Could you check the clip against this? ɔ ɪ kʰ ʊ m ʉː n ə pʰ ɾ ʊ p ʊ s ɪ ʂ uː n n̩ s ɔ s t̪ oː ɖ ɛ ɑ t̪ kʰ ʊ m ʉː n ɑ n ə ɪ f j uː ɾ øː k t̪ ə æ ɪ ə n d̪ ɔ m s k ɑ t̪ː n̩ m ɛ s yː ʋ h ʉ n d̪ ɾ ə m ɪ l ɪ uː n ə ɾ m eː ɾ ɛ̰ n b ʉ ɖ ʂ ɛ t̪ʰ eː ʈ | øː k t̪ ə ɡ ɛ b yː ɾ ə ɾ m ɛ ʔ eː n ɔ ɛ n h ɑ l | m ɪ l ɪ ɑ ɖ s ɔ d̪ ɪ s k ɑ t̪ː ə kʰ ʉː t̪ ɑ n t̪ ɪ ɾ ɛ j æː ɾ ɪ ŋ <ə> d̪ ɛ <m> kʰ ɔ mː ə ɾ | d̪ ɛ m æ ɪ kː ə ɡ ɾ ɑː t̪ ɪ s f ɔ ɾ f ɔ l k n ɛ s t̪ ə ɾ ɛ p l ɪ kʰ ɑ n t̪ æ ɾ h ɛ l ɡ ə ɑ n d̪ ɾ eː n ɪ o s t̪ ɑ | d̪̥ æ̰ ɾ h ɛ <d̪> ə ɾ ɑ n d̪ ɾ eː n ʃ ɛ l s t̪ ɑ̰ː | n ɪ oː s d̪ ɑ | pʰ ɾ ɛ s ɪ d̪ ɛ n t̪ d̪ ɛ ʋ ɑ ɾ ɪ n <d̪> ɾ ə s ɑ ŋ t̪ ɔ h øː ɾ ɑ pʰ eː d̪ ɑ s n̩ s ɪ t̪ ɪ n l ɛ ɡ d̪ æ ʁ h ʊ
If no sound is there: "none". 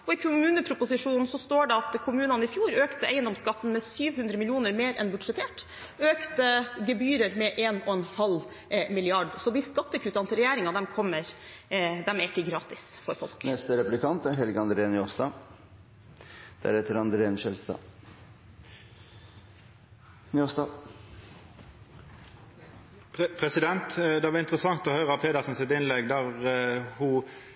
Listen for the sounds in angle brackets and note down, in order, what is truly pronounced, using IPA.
ɑ, m, t̪, t̪

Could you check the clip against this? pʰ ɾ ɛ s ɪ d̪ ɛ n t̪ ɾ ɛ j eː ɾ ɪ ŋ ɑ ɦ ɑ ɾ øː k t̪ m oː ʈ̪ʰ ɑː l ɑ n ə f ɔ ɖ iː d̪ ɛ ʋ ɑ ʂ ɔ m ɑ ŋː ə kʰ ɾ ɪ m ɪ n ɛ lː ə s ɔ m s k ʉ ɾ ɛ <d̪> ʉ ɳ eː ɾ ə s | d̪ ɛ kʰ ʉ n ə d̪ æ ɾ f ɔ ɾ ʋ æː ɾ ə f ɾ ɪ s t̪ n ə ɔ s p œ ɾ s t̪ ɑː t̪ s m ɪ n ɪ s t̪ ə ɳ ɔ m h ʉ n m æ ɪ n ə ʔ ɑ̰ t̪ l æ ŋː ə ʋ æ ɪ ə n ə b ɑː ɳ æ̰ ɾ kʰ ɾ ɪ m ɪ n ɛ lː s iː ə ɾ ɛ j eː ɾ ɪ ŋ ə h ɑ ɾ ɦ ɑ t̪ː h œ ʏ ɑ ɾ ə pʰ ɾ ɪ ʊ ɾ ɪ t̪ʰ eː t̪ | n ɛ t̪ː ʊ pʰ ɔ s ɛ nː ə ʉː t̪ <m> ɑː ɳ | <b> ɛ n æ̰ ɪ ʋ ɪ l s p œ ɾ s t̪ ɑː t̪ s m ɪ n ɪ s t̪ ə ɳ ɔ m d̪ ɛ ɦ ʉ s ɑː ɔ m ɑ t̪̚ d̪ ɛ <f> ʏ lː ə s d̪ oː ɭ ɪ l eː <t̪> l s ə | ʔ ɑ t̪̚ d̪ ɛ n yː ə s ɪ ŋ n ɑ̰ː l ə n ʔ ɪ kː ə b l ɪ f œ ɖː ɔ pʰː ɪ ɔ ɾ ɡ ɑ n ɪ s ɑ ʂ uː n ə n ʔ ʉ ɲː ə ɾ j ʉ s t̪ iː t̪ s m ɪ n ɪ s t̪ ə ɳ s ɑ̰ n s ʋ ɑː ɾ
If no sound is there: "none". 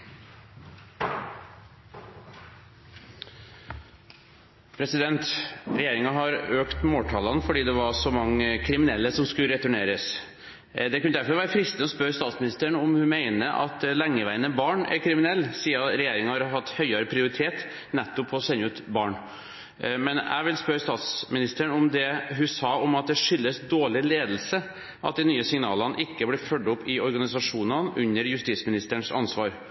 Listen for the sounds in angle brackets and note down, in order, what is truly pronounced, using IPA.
t̪, b, m, ʂ, d̪

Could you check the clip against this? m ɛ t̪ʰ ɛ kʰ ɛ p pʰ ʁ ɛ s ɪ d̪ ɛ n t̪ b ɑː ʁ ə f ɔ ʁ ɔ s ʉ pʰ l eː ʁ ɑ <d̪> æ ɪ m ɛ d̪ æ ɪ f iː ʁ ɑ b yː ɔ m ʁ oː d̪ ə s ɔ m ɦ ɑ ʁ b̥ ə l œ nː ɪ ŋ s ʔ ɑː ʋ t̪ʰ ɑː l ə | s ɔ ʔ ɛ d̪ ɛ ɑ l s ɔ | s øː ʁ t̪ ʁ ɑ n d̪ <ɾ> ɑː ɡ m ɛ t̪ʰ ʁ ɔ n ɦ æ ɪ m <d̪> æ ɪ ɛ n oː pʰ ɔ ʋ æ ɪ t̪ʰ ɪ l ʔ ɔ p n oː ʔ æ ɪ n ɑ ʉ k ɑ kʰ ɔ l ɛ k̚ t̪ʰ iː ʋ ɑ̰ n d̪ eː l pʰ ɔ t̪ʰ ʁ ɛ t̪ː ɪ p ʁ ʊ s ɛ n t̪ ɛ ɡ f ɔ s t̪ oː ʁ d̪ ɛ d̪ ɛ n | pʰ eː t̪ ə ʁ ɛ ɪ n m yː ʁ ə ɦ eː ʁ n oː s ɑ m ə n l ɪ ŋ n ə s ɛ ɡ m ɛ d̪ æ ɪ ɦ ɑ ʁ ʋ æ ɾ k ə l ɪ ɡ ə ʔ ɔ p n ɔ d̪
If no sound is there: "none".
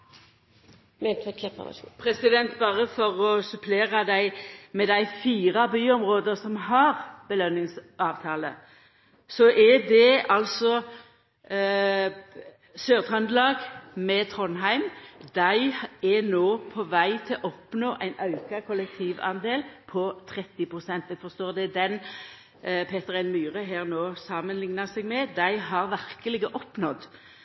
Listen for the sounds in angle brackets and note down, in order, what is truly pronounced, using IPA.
d̪, l, d̪

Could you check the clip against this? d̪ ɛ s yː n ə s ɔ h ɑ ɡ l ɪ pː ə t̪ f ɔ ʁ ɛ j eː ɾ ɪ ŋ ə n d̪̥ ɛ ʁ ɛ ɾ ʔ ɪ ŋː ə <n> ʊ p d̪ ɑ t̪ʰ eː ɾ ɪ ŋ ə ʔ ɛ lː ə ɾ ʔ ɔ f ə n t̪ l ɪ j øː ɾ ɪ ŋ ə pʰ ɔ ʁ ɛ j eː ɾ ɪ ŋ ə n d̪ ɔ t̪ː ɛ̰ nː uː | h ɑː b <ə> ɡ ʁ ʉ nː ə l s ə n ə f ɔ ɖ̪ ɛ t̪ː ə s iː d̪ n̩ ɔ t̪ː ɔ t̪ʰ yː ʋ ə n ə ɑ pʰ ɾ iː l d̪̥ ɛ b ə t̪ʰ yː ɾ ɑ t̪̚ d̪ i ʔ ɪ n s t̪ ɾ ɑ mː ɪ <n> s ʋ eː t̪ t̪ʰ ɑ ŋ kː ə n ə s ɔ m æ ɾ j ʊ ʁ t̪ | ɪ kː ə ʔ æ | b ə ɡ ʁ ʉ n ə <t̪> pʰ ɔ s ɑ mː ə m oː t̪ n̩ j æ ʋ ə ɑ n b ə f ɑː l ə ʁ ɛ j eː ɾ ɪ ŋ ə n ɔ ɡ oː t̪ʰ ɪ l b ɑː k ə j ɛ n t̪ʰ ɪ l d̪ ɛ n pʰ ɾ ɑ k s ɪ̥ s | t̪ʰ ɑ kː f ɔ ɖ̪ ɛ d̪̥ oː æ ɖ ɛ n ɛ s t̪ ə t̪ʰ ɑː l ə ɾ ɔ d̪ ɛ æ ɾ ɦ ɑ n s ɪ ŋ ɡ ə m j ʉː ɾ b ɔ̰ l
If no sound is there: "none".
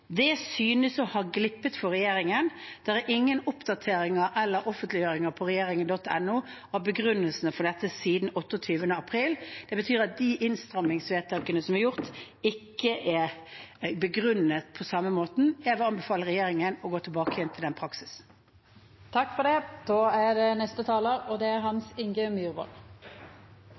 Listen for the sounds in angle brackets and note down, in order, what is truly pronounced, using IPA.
n, ə, ŋ, t̪

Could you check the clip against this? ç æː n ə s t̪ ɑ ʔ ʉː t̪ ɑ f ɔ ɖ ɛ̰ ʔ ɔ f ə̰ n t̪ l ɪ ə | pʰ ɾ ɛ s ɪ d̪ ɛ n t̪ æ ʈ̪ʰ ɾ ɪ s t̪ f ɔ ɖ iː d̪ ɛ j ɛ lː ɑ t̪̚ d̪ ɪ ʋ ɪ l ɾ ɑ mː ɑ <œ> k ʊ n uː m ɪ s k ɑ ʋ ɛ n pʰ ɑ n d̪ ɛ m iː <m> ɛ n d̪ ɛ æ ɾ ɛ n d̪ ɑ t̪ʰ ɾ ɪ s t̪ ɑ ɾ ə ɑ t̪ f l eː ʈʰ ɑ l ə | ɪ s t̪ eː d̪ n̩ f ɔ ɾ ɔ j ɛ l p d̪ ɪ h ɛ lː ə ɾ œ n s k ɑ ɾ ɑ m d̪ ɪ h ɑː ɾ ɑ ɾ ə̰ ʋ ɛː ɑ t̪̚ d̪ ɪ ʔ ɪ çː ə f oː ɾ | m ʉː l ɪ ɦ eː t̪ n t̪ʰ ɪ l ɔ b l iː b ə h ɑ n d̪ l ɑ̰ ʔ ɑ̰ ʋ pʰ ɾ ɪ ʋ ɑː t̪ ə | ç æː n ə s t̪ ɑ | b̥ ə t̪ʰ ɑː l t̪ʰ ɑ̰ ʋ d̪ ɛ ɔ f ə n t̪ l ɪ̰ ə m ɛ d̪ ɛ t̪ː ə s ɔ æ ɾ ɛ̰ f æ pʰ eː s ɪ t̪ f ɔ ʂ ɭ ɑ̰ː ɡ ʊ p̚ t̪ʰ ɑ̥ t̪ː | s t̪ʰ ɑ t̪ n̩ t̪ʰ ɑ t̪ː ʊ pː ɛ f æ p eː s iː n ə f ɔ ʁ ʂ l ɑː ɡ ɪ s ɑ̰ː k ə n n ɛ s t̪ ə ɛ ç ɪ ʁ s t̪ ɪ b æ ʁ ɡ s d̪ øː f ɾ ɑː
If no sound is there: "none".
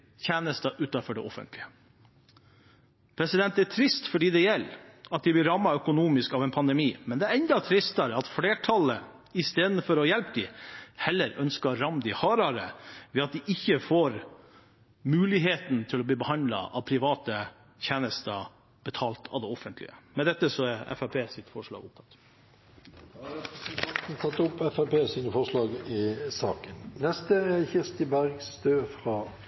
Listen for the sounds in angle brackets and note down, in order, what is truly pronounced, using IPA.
œ, m

